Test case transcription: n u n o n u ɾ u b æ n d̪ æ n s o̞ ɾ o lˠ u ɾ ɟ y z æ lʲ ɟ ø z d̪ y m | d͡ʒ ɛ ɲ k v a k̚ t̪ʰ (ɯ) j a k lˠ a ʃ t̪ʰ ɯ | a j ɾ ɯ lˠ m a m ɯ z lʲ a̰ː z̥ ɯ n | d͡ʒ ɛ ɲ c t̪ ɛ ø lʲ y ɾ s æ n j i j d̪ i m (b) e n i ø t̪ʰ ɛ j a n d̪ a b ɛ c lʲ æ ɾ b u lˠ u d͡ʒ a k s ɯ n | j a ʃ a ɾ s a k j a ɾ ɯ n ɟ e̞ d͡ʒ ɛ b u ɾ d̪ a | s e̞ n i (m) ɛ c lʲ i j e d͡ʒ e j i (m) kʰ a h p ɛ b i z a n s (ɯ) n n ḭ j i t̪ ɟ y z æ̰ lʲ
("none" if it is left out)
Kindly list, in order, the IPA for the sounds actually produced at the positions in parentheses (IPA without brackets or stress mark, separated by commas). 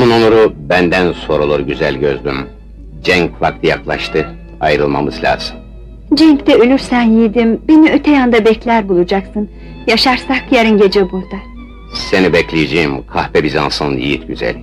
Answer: ɯ, b, b, m, ɯ